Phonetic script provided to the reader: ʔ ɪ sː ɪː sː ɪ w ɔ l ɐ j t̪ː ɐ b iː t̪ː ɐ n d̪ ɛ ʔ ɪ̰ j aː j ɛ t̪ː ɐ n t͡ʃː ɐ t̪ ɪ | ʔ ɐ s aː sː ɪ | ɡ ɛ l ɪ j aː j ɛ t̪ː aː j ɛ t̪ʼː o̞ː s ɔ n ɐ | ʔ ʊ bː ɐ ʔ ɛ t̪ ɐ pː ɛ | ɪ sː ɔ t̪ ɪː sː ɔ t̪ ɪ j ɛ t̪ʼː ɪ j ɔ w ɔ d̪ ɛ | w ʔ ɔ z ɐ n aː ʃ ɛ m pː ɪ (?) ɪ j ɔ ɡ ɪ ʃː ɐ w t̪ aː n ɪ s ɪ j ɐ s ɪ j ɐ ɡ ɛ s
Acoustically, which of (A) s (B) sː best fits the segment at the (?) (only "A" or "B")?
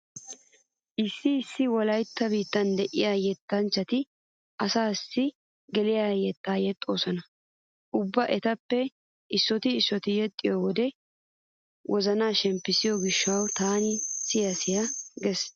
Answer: A